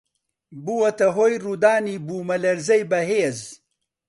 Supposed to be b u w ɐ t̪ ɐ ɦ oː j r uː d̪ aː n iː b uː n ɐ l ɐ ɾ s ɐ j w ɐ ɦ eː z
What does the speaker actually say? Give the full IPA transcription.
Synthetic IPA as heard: b u w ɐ t̪ ɐ ɦ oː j r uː d̪ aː n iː b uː m ɐ l ɐ ɾ z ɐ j b ɐ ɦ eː z